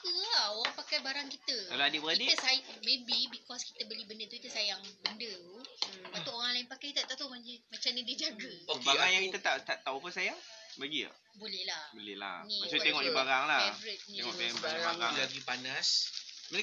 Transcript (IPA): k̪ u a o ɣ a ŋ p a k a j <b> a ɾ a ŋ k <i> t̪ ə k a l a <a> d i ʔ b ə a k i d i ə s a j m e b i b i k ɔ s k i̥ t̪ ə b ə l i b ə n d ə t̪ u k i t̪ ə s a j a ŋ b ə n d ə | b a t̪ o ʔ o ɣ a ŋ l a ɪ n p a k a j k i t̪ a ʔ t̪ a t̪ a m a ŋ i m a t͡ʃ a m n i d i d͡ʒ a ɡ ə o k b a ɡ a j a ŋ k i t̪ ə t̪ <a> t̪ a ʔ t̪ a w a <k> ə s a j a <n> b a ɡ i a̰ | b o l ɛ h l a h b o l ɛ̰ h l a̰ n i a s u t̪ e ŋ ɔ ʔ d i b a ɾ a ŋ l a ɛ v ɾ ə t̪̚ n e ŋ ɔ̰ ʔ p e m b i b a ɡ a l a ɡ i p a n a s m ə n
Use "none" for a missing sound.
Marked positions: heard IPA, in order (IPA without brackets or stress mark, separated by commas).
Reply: b, i, a, a, p, ŋ